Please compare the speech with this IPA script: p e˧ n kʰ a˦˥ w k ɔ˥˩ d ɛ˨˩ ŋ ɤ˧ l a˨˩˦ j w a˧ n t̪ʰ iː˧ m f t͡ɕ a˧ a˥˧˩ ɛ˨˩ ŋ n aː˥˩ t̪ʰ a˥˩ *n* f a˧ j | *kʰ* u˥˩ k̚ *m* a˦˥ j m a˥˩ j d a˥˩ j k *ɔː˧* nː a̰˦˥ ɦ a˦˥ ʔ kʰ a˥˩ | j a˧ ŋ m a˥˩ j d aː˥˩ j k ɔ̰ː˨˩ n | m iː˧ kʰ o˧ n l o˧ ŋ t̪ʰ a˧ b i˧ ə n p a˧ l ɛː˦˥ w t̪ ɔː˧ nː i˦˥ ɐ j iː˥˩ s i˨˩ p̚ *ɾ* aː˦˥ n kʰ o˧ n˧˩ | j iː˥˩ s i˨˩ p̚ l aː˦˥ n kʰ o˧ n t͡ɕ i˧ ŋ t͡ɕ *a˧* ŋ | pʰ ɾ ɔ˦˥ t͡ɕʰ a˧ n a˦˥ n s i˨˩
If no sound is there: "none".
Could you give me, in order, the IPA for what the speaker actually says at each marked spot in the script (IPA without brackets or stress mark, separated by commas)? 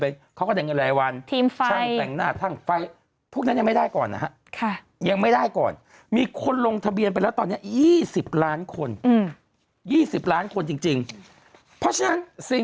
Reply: ŋ, pʰ, n, ɔː˨˩, l, i˧